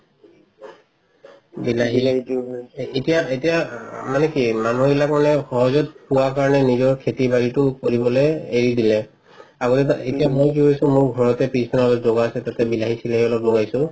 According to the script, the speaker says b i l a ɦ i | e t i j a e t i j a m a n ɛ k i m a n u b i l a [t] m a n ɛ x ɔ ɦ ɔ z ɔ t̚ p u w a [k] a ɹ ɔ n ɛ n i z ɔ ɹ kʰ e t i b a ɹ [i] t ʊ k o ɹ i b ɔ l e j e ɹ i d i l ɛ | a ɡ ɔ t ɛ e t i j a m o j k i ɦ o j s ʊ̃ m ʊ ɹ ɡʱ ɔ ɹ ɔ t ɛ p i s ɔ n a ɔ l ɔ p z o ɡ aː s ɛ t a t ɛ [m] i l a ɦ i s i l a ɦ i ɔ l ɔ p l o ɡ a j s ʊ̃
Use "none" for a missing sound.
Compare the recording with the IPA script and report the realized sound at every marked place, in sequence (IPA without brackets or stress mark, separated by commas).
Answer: k, k, i, b